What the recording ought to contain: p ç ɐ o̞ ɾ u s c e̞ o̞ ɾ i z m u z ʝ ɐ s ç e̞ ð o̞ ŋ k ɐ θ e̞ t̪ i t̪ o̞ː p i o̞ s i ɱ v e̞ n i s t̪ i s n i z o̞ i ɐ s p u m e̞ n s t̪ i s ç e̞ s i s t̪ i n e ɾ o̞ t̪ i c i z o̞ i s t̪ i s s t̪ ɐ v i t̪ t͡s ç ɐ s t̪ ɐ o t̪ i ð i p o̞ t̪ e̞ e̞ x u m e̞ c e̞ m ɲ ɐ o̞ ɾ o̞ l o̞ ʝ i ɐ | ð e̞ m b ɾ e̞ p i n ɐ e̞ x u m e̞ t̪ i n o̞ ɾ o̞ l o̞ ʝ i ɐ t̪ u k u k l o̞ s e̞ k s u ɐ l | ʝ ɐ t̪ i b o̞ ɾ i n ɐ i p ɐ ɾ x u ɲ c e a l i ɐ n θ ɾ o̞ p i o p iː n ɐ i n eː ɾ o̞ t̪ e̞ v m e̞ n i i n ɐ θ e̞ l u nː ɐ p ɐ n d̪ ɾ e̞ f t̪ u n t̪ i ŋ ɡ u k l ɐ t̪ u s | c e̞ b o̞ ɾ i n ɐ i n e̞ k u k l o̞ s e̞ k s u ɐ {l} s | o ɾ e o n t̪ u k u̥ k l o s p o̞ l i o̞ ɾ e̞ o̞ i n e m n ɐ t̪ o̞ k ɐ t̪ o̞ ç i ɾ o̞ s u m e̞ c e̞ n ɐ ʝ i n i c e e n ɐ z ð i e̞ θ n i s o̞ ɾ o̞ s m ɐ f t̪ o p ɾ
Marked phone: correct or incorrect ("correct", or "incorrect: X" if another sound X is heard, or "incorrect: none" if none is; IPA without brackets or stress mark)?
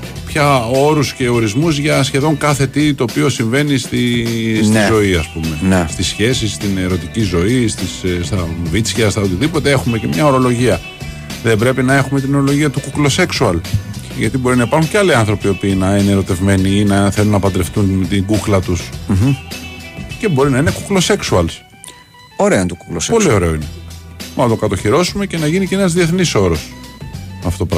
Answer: correct